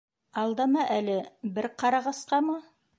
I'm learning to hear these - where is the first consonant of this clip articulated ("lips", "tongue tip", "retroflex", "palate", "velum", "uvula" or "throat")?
tongue tip